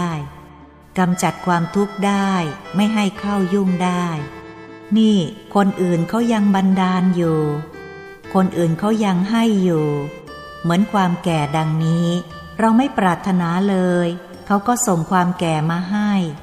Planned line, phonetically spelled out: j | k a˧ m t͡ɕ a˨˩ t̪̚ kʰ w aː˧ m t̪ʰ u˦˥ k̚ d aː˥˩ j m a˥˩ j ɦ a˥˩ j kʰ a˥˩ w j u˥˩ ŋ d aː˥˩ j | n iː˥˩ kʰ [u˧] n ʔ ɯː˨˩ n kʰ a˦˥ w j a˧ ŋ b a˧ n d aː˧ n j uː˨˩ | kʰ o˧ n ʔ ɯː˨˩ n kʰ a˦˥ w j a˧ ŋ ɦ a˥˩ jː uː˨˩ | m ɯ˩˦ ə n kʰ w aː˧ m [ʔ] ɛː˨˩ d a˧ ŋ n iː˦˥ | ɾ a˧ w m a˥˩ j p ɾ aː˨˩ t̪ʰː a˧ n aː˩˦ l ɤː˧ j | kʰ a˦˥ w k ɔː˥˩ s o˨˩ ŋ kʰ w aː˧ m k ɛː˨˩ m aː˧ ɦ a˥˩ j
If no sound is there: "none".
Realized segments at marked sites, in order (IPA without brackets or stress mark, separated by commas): o˧, k